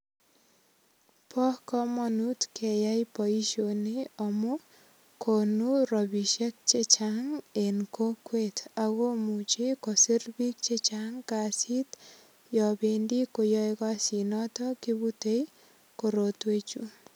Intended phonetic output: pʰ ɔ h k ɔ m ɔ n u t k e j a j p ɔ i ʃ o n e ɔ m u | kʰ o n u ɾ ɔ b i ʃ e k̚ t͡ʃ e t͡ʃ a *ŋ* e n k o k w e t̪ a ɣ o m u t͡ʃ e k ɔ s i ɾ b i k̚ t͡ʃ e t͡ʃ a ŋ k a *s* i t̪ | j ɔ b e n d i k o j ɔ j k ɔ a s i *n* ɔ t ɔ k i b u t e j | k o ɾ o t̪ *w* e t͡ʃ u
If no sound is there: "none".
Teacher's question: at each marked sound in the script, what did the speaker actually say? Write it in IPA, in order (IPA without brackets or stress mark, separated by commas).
ŋ, s, n, w